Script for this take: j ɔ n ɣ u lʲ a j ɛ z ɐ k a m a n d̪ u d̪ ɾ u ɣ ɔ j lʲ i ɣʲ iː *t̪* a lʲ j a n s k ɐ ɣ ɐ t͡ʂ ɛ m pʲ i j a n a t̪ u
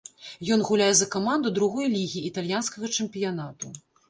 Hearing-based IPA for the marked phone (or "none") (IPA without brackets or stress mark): t̪